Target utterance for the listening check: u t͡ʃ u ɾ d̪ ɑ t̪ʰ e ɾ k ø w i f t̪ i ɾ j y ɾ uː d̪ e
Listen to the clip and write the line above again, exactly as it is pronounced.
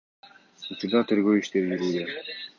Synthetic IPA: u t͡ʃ u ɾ d̪ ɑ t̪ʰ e ɾ ɡ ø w i ʃ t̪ e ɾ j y ɾ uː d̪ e